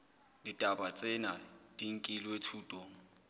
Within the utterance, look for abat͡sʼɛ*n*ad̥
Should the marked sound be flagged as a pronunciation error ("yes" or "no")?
no